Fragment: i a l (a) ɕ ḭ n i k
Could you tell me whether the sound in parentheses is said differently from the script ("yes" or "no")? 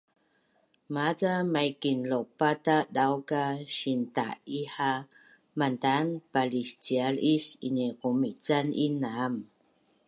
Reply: yes